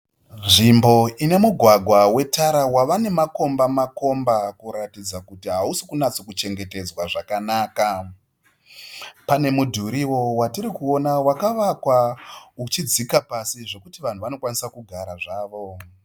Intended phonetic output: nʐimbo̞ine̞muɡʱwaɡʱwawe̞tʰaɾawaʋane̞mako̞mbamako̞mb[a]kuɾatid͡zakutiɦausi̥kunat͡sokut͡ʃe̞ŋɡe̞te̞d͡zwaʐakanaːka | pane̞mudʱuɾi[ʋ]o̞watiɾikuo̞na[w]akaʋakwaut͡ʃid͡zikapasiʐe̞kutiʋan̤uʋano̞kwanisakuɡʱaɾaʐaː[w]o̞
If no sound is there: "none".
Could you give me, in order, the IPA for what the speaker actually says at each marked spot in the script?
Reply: a, w, w, ʋ

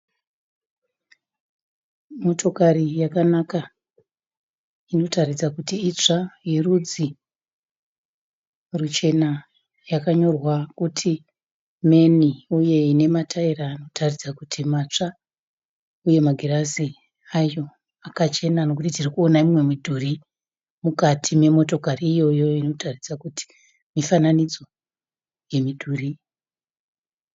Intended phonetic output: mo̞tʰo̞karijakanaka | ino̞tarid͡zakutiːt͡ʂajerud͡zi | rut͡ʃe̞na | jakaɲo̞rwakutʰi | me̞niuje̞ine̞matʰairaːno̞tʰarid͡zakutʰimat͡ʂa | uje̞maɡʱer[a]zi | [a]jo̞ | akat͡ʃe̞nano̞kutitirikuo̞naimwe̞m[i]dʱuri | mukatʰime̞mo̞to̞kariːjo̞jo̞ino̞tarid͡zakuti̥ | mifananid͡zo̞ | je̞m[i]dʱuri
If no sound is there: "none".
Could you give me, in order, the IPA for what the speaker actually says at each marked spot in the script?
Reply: a, a, i, i

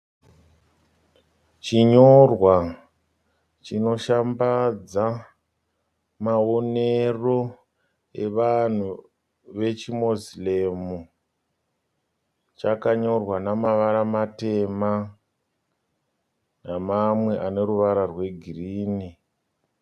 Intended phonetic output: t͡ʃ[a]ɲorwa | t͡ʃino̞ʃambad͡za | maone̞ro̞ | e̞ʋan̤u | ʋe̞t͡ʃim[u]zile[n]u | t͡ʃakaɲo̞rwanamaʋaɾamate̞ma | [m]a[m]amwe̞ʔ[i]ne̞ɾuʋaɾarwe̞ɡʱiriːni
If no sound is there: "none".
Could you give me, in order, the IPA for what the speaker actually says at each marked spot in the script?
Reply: i, o, m, n, m, a

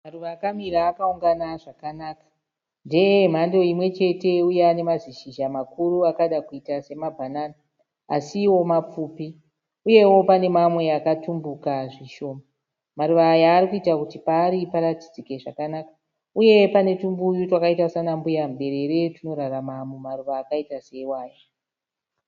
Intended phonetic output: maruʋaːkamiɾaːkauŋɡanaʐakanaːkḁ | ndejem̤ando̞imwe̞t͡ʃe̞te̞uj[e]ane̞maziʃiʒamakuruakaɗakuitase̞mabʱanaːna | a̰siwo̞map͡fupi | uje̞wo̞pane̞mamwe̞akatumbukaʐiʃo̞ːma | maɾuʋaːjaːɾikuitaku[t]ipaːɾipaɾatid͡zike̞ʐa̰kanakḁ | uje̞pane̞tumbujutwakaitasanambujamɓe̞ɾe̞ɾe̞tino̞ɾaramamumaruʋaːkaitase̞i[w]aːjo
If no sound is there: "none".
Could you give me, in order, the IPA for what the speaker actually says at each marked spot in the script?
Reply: e, t, w

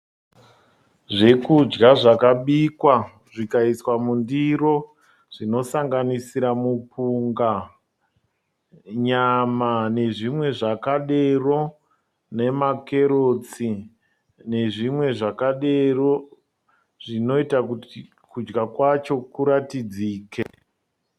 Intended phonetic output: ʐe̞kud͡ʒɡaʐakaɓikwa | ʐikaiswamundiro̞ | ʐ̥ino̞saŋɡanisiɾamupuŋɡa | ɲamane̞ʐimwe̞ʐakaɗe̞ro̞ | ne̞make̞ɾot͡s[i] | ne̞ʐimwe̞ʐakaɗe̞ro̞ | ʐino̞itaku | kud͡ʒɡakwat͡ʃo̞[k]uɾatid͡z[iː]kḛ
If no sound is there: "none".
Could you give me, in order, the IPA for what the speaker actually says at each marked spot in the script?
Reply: i, k, iː

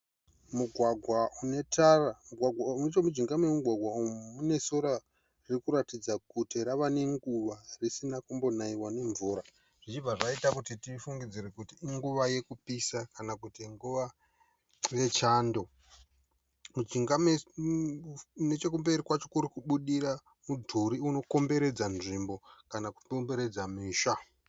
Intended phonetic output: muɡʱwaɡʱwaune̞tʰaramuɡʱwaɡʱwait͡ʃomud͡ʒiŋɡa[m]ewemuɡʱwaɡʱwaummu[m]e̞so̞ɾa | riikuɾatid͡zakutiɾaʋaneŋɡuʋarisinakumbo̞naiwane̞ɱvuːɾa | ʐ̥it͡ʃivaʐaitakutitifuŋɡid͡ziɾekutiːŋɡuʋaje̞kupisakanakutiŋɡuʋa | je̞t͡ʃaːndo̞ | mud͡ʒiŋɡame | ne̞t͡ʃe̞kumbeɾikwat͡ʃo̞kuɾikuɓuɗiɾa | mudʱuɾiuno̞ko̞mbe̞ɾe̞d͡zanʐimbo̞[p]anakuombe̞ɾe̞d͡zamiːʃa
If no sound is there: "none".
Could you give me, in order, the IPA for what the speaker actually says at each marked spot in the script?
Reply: m, n, k

